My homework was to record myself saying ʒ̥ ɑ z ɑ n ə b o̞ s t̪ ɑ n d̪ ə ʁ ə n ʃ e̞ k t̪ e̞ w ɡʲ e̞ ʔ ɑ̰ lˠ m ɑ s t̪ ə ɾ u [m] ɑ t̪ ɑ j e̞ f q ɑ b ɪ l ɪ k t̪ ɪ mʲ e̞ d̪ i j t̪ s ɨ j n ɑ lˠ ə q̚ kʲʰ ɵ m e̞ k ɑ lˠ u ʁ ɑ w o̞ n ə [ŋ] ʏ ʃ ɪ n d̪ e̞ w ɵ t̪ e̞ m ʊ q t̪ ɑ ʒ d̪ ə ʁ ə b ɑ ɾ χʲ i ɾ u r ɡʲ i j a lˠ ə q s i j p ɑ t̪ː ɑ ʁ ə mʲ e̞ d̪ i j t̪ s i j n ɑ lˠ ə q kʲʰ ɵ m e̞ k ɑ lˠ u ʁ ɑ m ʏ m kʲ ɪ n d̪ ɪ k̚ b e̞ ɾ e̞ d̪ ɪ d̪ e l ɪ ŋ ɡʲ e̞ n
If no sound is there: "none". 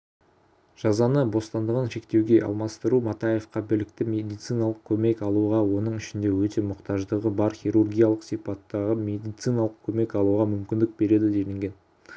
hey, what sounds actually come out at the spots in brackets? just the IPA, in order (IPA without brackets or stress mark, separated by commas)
m, ɴ